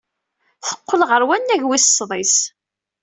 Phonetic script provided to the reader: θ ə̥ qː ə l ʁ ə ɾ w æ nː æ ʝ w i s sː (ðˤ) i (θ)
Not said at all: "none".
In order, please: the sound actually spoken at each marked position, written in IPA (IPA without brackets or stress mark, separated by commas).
ðˤ, s